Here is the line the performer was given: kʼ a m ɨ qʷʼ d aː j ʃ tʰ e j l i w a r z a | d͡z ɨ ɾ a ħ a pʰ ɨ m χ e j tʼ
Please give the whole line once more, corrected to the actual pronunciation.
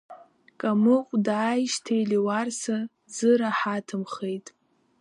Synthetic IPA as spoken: kʼ a m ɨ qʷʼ d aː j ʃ tʰ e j l i w a r s a | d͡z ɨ ɾ a ħ a tʰ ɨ m χ e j tʼ